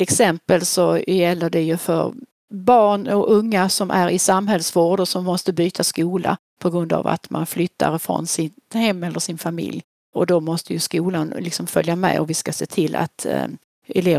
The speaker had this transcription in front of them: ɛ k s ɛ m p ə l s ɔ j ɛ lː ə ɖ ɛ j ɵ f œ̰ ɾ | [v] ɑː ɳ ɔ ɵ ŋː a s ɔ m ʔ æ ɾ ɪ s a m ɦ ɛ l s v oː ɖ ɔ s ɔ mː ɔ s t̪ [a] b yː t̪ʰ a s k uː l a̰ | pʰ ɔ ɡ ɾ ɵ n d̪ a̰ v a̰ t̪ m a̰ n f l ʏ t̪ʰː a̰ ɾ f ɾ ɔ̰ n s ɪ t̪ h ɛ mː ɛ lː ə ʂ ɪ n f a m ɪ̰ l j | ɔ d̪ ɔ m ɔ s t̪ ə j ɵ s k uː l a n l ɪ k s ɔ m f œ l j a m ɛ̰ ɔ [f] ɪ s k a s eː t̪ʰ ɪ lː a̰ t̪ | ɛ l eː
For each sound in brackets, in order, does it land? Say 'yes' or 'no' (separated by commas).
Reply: no, no, no